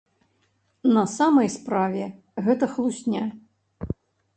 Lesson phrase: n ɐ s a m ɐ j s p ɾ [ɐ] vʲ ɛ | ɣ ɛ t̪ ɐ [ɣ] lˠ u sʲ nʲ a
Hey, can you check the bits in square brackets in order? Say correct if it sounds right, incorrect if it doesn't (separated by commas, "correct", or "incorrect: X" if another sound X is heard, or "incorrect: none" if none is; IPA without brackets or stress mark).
incorrect: a, incorrect: x